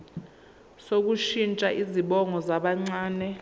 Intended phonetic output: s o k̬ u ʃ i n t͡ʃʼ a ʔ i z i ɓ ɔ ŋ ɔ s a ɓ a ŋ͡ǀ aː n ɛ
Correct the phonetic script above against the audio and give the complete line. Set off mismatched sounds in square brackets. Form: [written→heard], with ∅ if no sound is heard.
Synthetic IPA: s o k̬ u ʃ i n t͡ʃʼ a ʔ i z i ɓ ɔ ŋ ɔ [s→z] a ɓ a ŋ͡ǀ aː n ɛ